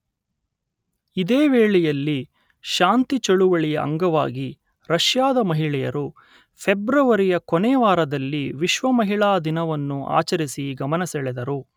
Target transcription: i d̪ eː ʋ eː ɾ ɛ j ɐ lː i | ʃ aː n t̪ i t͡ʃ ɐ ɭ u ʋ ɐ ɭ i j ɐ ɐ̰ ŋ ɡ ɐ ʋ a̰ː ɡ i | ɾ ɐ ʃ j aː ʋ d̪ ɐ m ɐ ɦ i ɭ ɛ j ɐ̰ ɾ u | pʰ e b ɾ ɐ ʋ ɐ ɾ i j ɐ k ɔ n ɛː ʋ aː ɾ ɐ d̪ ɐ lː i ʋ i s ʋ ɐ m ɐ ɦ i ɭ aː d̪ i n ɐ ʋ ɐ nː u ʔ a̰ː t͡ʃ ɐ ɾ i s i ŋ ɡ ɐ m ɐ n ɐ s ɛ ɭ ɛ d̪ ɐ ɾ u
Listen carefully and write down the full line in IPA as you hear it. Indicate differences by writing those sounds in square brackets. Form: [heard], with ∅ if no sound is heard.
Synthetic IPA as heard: i d̪ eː ʋ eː [ɭ] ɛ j ɐ lː i | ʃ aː n t̪ i t͡ʃ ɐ ɭ u ʋ ɐ ɭ i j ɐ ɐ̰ ŋ ɡ ɐ ʋ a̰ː ɡ i | ɾ ɐ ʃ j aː [∅] d̪ ɐ m ɐ ɦ i ɭ ɛ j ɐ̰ ɾ u | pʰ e b ɾ ɐ ʋ ɐ ɾ i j ɐ k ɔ n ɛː ʋ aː ɾ ɐ d̪ ɐ lː i ʋ i [ʃ] ʋ ɐ m ɐ ɦ i ɭ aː d̪ i n ɐ ʋ ɐ nː u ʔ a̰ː t͡ʃ ɐ ɾ i s i [∅] ɡ ɐ m ɐ n ɐ s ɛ ɭ ɛ d̪ ɐ ɾ u